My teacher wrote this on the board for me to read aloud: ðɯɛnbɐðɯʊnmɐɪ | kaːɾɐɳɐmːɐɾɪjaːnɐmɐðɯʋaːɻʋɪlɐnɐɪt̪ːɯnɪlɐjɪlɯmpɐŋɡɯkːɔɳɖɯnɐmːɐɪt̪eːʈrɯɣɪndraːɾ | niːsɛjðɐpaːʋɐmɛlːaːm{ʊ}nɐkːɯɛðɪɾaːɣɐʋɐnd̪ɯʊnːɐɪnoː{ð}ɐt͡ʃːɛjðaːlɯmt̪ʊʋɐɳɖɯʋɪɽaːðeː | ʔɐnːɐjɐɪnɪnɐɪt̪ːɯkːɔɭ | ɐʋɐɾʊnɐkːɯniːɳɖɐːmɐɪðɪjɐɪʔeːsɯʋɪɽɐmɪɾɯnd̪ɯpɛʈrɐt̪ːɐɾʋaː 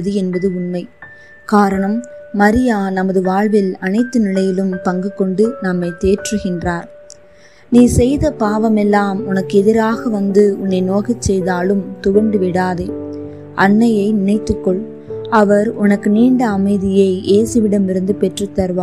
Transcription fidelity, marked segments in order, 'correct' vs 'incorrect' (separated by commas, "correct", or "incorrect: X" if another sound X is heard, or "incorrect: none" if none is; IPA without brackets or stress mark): correct, incorrect: ɣ